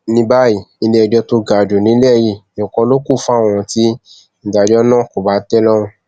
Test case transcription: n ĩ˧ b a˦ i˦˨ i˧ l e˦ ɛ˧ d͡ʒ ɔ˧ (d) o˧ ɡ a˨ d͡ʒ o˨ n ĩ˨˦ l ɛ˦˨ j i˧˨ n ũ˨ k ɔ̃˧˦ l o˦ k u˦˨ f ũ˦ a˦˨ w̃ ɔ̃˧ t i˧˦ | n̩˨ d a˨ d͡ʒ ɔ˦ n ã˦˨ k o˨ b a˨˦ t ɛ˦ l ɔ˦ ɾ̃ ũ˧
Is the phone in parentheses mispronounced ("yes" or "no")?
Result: yes